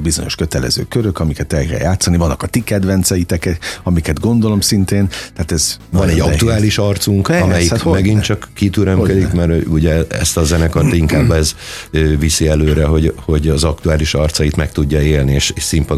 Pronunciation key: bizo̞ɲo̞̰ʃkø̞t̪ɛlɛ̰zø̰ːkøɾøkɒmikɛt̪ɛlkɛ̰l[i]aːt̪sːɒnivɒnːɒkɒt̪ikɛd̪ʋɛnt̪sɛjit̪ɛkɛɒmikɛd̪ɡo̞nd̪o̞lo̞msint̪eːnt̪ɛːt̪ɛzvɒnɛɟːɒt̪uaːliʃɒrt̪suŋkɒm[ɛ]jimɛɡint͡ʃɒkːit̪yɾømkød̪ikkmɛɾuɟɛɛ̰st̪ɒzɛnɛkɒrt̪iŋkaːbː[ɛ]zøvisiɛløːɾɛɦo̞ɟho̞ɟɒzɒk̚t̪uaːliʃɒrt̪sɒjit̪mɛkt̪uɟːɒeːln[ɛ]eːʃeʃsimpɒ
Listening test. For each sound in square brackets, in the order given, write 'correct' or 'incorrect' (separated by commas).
incorrect, correct, correct, incorrect